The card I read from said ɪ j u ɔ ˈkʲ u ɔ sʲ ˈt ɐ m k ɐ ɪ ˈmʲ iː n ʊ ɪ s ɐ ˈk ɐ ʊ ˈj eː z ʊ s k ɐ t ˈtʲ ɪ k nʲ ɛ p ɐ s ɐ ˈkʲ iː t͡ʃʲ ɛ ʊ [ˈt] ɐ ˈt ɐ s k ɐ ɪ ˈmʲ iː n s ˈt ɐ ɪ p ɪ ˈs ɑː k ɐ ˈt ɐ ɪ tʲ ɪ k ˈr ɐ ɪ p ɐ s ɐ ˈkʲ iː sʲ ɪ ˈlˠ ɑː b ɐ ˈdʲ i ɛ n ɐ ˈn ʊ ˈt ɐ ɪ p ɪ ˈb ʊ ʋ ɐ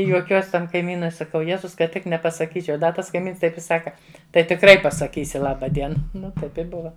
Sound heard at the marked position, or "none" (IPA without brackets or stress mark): d